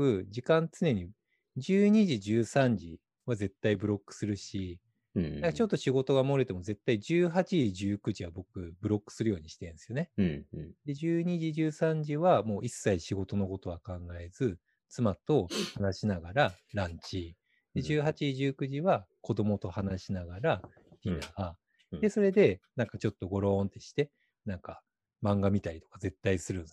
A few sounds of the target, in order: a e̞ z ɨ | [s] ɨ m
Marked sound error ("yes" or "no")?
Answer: yes